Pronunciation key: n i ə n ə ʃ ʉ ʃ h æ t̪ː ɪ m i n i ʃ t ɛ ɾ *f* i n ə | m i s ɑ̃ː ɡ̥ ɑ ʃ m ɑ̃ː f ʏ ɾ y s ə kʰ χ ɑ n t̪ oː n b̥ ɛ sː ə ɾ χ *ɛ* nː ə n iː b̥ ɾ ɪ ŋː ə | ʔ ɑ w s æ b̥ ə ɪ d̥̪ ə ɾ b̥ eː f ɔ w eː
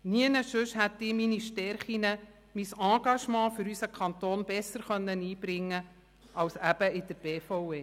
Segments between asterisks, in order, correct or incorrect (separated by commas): incorrect, incorrect